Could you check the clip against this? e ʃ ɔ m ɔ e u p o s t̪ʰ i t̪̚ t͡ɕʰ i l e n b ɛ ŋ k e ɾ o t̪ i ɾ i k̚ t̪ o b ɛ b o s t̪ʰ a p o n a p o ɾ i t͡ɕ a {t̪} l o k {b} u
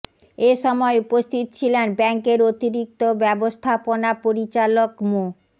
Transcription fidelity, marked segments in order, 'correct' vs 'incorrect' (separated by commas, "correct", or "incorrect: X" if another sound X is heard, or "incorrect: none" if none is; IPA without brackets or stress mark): incorrect: none, incorrect: m